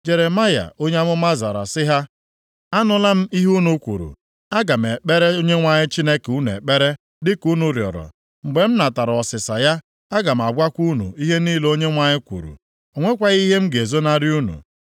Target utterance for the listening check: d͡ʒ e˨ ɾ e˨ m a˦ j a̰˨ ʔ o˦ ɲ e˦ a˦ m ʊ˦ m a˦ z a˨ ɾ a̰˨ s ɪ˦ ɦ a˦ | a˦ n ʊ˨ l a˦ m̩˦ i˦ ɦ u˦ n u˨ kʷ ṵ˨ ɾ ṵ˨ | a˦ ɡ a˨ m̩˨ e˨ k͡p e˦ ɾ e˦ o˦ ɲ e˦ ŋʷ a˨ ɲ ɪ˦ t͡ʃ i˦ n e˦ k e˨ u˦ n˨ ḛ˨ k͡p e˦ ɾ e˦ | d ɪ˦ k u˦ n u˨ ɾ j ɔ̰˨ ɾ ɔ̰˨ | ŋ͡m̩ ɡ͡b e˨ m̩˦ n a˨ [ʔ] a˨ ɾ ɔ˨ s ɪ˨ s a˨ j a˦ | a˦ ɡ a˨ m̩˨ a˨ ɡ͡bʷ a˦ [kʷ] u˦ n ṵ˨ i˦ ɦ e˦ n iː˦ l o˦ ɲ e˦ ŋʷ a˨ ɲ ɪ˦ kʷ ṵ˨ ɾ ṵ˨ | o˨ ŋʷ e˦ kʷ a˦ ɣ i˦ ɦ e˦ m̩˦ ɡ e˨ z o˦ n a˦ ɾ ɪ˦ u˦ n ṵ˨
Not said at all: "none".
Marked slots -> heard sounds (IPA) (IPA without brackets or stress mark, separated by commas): t, kʷ